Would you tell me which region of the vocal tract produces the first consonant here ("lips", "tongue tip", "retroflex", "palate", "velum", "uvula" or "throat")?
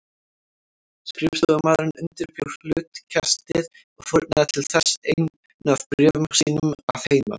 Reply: tongue tip